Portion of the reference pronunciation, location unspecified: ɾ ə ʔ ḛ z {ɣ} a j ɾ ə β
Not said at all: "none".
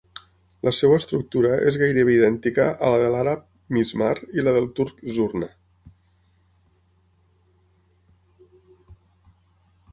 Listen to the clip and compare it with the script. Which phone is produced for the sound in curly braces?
ɣ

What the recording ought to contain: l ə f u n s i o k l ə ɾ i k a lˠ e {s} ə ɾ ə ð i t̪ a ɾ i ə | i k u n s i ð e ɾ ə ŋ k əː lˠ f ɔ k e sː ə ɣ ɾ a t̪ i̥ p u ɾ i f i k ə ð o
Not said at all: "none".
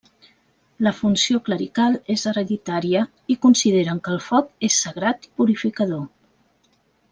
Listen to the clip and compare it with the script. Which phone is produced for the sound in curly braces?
z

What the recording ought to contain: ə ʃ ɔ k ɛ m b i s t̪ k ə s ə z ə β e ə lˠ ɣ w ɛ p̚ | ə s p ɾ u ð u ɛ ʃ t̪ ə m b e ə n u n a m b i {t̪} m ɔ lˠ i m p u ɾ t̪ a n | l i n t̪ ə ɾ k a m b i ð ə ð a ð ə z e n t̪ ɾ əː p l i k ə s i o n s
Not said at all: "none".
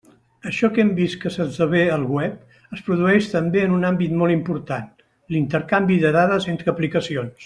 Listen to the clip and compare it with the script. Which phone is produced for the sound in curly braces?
t̪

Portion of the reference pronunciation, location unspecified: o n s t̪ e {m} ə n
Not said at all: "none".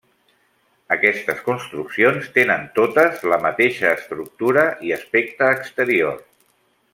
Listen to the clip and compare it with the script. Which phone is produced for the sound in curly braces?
n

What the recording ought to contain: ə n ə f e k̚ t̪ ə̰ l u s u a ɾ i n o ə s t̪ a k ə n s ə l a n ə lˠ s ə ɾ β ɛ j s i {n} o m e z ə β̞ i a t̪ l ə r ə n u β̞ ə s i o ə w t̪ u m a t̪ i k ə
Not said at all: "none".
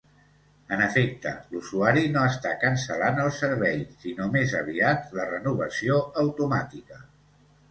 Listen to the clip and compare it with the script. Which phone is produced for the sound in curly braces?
n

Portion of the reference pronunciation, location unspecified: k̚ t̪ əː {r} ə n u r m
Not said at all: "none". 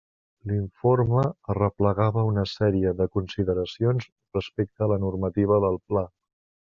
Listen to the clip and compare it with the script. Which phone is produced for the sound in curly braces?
l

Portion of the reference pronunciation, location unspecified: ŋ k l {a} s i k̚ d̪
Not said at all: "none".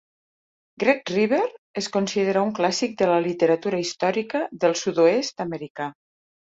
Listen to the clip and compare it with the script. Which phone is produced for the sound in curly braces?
a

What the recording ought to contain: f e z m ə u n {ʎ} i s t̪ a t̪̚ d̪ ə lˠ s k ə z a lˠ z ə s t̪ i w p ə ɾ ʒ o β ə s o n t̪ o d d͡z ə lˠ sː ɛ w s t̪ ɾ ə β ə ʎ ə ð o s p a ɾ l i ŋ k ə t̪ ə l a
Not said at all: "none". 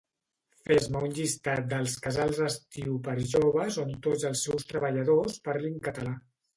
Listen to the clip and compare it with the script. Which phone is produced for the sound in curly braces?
ʎ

